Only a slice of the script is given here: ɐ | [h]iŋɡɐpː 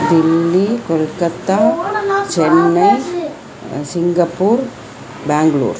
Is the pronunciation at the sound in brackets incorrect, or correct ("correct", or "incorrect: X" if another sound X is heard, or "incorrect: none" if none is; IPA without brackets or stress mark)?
incorrect: s